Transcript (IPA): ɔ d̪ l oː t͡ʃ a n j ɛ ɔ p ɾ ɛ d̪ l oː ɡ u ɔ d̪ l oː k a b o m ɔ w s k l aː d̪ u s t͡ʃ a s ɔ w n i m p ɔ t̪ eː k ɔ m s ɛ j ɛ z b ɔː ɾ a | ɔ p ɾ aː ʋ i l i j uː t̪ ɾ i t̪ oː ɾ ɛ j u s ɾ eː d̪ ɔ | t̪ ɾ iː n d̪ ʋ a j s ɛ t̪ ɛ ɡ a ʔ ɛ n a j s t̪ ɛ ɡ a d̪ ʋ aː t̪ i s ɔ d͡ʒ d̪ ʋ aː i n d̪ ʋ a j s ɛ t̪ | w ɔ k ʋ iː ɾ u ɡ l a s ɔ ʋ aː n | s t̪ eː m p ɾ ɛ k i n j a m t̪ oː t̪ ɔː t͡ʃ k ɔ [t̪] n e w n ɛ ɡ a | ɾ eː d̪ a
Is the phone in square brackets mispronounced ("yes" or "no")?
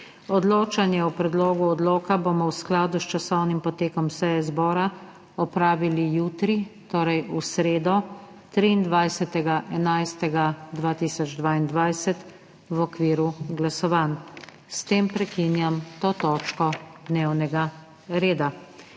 yes